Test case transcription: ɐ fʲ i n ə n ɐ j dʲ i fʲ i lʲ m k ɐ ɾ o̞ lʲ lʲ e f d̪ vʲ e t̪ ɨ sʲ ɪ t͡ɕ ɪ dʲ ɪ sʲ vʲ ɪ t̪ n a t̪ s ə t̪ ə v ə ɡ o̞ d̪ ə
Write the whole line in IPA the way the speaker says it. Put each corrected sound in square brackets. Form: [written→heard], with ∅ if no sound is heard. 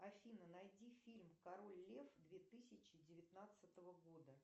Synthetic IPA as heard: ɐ fʲ i n ə n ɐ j dʲ i fʲ i lʲ m k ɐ ɾ o̞ lʲ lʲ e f d̪ vʲ e t̪ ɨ sʲ ɪ t͡ɕ ɪ dʲ ɪ [sʲ→∅] vʲ ɪ t̪ n a t̪ s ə t̪ ə v ə ɡ o̞ d̪ ə